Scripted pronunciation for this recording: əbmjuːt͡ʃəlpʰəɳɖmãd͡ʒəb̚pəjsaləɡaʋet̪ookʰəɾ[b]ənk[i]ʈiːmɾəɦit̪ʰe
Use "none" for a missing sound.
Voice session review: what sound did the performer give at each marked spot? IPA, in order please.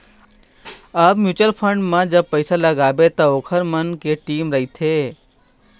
m, e

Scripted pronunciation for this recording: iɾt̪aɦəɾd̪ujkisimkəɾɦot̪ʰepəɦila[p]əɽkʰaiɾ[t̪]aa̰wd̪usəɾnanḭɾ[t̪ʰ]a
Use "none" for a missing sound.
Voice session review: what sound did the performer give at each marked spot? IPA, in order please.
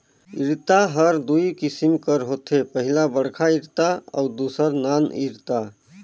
b, t̪, t̪

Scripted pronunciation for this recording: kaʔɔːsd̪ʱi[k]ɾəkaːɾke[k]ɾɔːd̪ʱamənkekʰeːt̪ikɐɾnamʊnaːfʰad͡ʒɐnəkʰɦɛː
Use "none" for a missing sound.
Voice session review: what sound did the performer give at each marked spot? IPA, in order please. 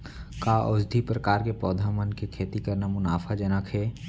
p, p

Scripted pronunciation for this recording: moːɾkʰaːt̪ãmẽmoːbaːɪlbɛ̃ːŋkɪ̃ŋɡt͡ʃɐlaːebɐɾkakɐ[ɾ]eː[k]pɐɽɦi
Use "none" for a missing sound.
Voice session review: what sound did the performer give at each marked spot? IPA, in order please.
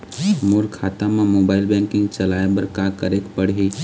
ɾ, k

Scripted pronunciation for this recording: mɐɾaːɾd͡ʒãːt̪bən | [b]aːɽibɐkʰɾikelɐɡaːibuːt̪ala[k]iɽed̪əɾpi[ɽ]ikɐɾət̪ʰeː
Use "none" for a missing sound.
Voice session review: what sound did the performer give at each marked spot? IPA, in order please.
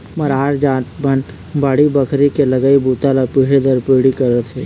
b, p, ɽ

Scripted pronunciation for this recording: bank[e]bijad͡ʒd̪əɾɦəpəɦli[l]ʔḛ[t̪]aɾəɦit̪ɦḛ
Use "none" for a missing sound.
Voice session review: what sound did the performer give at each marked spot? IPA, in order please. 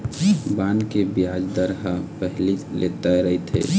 e, l, t̪

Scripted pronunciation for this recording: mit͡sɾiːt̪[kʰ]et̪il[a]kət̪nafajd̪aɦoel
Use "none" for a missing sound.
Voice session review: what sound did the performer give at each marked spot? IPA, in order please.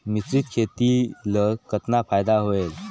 kʰ, ə

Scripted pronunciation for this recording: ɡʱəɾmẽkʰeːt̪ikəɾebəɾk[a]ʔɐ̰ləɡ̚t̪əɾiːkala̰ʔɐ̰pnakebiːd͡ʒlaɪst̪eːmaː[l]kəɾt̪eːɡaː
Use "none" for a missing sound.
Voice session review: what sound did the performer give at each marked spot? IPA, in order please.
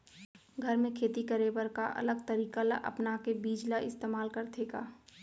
a, l

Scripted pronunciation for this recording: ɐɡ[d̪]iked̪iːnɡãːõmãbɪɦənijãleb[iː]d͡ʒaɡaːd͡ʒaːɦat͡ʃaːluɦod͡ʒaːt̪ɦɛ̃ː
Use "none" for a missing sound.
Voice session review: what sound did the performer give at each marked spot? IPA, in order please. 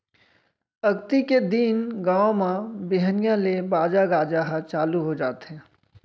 t̪, aː

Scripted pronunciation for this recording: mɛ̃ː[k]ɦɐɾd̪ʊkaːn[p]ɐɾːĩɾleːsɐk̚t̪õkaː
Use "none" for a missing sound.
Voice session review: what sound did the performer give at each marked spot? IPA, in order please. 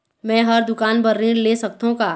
none, b

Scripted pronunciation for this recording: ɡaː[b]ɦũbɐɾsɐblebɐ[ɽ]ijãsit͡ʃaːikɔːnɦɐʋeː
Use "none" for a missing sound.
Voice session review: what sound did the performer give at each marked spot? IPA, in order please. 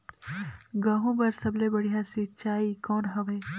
none, ɽ

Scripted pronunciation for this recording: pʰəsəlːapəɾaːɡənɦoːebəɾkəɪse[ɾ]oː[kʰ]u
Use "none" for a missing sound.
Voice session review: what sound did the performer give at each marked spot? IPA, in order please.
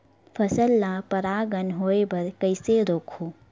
ɾ, kʰ

